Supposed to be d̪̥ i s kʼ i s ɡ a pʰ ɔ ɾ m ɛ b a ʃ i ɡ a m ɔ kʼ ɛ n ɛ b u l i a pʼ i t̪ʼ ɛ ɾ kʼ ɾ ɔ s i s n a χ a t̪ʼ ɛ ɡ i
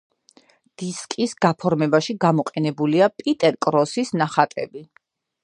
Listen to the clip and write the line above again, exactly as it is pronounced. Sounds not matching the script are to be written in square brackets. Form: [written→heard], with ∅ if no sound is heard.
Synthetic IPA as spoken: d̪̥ i s kʼ i s ɡ a pʰ ɔ ɾ m ɛ b a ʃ i ɡ a m ɔ [kʼ→qʼ] ɛ n ɛ b u l i a pʼ i t̪ʼ ɛ ɾ kʼ ɾ ɔ s i s n a χ a t̪ʼ ɛ [ɡ→b] i